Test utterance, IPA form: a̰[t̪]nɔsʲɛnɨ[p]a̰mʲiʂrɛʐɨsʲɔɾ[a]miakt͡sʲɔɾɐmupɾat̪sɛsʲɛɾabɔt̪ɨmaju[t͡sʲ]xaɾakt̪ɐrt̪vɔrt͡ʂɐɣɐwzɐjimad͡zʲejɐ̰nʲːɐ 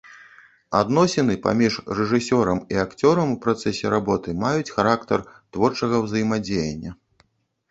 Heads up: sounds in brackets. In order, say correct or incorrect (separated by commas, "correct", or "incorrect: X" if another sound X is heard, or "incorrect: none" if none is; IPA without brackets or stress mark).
incorrect: d̪, correct, incorrect: ɐ, correct